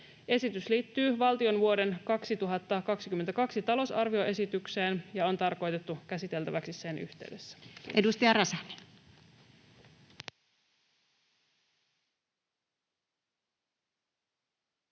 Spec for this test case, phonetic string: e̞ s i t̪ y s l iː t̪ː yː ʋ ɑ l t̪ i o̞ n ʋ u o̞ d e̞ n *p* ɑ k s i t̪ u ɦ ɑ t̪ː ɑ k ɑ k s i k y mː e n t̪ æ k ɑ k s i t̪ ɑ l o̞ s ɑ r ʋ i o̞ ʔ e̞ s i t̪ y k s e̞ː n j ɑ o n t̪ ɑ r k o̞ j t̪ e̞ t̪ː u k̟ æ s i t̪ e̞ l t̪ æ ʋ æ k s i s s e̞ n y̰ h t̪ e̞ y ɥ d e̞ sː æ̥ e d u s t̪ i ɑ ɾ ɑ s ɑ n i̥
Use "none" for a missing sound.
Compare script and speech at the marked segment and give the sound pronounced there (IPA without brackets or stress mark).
k